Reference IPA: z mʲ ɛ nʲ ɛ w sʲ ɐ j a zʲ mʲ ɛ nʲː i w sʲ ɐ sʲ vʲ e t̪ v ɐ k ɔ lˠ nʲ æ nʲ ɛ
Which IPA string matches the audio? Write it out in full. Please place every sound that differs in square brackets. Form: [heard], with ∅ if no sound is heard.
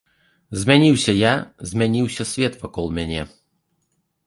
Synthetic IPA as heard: z mʲ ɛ nʲ [i] w sʲ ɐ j a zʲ mʲ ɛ [nʲ] i w sʲ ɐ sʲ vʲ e t̪ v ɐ k ɔ lˠ [mʲ] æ nʲ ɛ